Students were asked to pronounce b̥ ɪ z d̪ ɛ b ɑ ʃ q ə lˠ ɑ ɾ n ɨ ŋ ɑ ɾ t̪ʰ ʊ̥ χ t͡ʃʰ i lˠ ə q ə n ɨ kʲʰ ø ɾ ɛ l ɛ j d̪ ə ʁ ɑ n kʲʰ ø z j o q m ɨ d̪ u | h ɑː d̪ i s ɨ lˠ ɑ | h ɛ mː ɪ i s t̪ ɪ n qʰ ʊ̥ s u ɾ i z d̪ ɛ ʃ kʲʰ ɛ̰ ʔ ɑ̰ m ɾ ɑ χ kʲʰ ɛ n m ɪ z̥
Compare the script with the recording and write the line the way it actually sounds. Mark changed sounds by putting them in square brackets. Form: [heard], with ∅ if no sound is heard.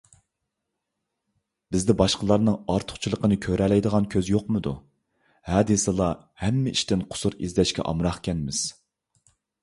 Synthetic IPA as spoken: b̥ ɪ z d̪ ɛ b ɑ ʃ q ə lˠ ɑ ɾ n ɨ ŋ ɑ ɾ t̪ʰ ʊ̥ χ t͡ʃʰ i lˠ ə q ə n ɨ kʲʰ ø ɾ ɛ l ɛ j d̪ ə ʁ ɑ n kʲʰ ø z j o q m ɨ d̪ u | h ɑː d̪ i s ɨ lˠ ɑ | h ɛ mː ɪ i [ʃ] t̪ ɪ n qʰ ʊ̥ s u ɾ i z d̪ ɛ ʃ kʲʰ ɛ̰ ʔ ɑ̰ m ɾ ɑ χ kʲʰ ɛ n m ɪ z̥